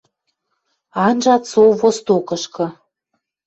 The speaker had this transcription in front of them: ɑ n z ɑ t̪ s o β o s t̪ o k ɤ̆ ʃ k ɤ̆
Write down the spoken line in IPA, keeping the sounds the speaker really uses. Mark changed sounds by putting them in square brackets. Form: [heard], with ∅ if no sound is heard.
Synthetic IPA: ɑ n [ʒ] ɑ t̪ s o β o s t̪ o k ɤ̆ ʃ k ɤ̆